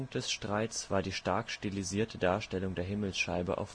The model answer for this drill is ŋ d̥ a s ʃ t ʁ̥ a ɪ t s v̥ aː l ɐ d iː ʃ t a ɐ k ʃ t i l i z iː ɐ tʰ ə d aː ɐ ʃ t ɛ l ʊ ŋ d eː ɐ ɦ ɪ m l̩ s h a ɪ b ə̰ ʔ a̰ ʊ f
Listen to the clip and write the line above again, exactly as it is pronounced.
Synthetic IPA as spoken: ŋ d̥ ɛ s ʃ t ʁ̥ a ɪ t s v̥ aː ɐ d iː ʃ t a ɐ k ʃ t i l i z iː ɐ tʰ ə d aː ɐ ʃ t ɛ l ʊ ŋ d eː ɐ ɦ ɪ m l̩ s ʃ a ɪ b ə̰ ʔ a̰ ʊ f